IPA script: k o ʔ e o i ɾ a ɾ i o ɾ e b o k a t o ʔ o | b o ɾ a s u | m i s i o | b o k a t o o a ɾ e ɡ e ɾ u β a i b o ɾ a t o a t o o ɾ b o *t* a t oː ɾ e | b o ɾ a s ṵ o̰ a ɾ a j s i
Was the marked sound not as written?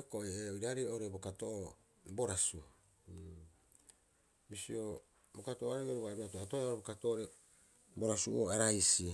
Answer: yes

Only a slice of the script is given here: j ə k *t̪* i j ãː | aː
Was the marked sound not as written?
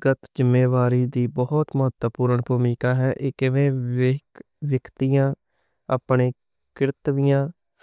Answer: no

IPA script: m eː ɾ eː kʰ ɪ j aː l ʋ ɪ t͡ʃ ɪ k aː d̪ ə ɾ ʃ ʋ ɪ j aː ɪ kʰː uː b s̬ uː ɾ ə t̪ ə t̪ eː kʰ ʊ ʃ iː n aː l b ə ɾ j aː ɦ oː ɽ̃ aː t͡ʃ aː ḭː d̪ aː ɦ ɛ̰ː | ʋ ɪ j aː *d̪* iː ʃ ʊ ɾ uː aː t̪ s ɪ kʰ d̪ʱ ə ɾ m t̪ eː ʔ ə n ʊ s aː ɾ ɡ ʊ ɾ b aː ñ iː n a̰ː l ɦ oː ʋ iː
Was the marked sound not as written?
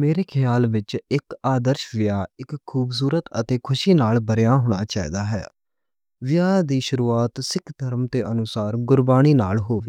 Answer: no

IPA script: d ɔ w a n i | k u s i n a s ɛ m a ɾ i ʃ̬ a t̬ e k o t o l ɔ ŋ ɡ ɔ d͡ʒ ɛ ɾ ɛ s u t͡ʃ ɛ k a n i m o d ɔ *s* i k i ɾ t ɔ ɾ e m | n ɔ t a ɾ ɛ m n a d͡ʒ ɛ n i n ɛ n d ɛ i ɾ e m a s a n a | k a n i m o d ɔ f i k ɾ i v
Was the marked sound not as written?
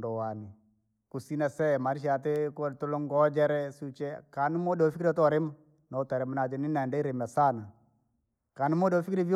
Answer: yes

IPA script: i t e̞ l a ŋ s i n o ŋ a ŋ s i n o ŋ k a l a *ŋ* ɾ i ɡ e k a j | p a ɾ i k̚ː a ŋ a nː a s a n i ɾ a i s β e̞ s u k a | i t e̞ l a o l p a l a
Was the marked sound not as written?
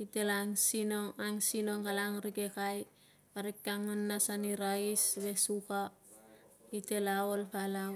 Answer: no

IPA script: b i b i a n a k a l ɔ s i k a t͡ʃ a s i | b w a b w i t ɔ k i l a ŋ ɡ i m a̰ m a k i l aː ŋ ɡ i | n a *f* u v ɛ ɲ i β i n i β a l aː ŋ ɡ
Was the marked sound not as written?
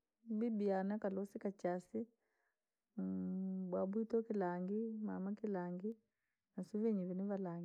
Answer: yes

